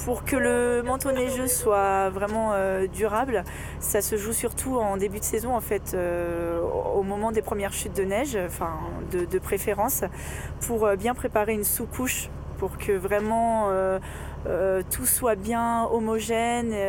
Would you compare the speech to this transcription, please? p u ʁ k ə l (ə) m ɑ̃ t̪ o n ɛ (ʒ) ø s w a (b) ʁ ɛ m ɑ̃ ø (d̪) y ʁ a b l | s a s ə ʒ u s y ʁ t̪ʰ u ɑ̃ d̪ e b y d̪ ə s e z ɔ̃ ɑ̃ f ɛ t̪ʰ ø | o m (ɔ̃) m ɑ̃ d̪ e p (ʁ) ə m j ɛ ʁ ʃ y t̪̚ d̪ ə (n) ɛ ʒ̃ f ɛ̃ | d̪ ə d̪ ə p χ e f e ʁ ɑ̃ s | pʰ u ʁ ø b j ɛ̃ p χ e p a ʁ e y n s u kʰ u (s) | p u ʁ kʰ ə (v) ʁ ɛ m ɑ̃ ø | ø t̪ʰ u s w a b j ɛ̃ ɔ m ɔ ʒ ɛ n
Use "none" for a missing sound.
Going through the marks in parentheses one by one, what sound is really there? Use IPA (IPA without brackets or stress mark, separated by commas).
ə, ʒ, v, d̪, ɔ, χ, n, ʃ, v